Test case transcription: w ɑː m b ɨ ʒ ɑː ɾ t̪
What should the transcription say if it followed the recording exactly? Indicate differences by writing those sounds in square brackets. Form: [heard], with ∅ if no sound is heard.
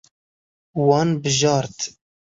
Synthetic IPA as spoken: w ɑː [n] b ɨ ʒ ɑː ɾ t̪

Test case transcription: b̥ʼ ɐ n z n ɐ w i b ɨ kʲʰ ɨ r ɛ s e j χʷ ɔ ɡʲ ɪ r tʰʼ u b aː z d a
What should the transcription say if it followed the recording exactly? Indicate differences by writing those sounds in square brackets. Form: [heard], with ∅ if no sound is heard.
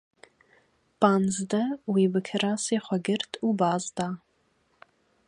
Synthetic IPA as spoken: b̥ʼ [a] n z [d] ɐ w i b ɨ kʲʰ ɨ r [a] s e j χʷ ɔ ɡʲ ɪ r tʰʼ u b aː z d a

